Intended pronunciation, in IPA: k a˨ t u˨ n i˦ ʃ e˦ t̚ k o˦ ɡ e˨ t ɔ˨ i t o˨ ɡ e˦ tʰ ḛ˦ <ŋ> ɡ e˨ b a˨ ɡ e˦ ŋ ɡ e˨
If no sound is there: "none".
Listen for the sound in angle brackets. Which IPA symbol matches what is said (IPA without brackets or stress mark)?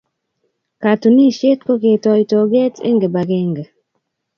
ŋ